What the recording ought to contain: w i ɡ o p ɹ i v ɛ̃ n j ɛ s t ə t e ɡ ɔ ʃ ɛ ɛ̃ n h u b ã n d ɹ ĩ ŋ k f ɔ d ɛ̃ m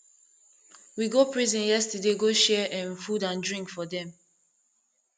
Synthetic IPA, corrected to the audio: w i ɡ o p ɹ i z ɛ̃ n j ɛ s t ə d e ɡ o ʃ ɛ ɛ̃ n f u d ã n d ɹ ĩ ŋ k f ɔ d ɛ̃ m